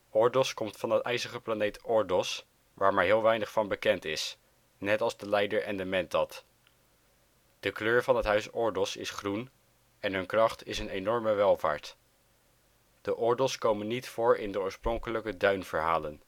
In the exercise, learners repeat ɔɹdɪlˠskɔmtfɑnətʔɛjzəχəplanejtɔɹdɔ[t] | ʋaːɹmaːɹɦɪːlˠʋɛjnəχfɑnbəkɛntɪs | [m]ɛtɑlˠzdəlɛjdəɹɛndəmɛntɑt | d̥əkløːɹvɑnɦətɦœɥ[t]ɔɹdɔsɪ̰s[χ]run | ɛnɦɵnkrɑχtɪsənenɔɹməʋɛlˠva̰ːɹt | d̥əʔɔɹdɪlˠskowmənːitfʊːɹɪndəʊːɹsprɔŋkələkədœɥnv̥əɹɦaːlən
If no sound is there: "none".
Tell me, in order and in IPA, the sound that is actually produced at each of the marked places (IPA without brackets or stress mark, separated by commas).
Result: s, n, s, χ